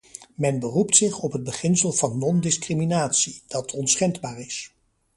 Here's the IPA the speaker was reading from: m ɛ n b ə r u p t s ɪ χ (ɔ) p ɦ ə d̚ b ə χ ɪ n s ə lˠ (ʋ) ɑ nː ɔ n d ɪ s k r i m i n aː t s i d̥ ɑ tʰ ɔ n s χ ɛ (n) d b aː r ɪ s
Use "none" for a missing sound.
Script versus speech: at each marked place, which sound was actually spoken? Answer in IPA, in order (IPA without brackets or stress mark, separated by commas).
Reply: ɔ, v, n